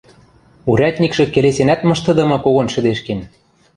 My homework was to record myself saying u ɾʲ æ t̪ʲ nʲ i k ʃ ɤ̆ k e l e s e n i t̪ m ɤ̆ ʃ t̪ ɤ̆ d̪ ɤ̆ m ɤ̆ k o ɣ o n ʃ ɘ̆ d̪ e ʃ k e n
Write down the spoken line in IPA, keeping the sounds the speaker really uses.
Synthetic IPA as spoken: u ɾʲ æ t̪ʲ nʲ i k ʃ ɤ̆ k e l e s e n æ t̪ m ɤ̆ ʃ t̪ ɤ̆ d̪ ɤ̆ m ɤ̆ k o ɣ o n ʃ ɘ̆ d̪ e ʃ k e n

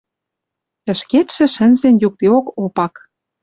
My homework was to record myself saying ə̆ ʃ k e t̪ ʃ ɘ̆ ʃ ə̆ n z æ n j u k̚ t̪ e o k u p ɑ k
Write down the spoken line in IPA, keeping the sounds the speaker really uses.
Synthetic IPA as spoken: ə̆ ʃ k e t̪ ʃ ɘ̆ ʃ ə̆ n z e n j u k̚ t̪ e o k o p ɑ k

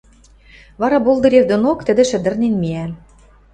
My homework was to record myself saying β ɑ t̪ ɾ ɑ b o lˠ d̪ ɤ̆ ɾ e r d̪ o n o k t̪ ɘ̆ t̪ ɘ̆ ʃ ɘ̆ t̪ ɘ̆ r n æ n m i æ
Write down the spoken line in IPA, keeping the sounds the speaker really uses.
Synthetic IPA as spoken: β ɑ ɾ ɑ b o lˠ d̪ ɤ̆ ɾ e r d̪ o n o k t̪ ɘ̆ d̪ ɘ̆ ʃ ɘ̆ d̪ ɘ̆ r n e n m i æ

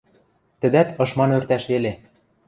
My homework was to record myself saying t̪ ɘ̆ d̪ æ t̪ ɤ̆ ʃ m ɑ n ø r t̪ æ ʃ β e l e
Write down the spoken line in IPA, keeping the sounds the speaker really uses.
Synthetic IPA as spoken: t̪ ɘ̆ d̪ æ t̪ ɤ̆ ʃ m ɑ n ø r t̪ æ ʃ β e l e

